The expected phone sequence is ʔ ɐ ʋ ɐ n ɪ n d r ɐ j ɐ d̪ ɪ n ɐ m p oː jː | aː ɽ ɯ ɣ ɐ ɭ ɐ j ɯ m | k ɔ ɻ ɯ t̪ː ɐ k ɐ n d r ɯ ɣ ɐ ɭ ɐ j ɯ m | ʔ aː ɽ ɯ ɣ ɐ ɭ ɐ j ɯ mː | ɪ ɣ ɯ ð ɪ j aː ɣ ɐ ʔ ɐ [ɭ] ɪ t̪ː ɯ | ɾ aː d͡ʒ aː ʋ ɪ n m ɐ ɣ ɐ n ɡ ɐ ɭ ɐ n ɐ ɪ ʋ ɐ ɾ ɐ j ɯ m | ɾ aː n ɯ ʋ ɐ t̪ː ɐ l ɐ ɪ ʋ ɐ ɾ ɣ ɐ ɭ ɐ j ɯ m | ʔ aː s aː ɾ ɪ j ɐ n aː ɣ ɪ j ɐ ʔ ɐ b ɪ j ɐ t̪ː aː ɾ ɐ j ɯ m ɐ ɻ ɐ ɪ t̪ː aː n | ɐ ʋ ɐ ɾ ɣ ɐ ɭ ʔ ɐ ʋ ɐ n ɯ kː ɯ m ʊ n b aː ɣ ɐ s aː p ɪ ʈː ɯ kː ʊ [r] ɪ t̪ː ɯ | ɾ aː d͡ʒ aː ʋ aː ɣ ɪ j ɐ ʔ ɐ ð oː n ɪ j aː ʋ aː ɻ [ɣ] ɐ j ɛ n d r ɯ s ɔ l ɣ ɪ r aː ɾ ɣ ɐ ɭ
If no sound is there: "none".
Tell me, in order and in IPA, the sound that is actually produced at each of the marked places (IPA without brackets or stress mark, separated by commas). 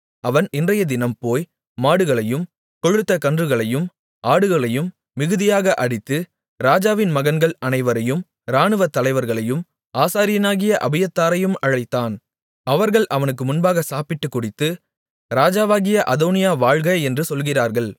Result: ɽ, ɽ, ɣ